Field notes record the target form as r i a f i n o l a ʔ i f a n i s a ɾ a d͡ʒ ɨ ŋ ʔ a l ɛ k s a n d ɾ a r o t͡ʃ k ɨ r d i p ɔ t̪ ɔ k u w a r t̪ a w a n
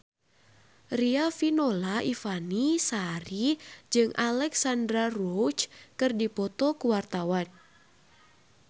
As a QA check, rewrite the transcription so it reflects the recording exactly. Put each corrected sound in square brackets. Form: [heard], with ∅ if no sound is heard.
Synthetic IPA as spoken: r i a f i n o l a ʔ i f a n i s a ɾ [i] d͡ʒ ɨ ŋ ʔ a l ɛ k s a n d ɾ a r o t͡ʃ k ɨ r d i p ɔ t̪ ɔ k u w a r t̪ a w a n